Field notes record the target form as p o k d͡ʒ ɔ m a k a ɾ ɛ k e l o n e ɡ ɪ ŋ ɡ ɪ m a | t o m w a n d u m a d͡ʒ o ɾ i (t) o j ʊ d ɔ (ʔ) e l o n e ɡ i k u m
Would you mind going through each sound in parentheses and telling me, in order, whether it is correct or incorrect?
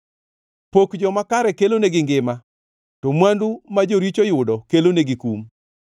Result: incorrect: t͡ʃ, incorrect: k

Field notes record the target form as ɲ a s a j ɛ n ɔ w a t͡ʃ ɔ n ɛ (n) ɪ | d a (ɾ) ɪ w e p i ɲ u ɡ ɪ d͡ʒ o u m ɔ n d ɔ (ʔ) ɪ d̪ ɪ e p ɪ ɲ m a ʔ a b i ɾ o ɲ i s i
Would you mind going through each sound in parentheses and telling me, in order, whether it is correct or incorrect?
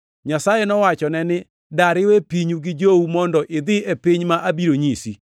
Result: correct, correct, correct

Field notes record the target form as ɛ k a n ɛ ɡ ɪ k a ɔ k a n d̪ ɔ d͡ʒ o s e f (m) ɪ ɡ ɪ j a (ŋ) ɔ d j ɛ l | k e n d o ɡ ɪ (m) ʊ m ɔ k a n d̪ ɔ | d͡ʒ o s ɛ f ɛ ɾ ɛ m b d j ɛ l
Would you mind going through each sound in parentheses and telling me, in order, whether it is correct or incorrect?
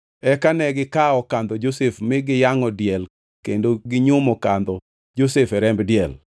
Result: correct, correct, incorrect: ɲ

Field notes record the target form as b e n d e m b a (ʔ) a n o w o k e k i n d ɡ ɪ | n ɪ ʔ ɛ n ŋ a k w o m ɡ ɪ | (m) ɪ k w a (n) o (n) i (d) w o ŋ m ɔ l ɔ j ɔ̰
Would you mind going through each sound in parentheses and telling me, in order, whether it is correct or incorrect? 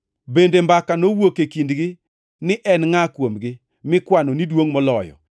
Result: incorrect: k, correct, correct, correct, correct

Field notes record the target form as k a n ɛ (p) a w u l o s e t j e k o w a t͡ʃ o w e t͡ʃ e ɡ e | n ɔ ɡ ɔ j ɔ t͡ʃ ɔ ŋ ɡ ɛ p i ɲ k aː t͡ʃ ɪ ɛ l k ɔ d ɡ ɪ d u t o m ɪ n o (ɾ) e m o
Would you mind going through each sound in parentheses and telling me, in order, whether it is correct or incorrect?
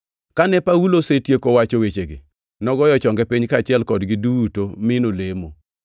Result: correct, incorrect: l

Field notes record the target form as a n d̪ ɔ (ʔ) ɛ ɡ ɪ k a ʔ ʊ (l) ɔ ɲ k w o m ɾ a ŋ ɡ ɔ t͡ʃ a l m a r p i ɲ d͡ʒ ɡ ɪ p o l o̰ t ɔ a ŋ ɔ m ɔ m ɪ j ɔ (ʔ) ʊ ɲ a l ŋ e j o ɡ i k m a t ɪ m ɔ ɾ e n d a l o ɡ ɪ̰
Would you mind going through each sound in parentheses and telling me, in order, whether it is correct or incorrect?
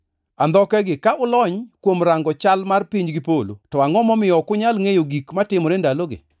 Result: incorrect: k, correct, incorrect: k

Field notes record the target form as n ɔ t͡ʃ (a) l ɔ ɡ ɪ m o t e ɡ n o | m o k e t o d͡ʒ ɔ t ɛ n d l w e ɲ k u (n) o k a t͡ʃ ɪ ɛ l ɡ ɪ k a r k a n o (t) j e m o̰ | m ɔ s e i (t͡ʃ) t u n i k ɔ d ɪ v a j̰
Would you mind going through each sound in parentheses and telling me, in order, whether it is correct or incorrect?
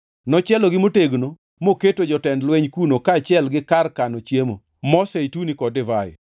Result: incorrect: ɛ, correct, incorrect: t͡ʃ, incorrect: none

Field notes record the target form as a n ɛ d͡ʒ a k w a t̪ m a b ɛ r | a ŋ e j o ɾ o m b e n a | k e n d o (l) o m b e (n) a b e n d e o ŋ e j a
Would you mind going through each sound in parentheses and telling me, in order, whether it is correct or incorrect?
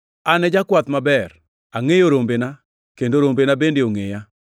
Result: incorrect: ɾ, correct

